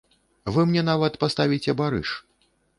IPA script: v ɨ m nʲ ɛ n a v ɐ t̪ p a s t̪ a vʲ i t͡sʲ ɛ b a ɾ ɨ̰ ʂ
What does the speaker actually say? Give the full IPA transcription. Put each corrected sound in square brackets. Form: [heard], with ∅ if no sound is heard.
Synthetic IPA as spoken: v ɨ m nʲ ɛ n a v ɐ t̪ p a s t̪ a vʲ i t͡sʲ ɛ b a ɾ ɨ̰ ʂ